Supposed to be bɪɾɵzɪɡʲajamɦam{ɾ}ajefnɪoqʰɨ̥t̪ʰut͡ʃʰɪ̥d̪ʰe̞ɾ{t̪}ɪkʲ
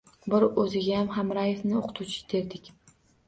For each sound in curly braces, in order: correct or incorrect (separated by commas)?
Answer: correct, incorrect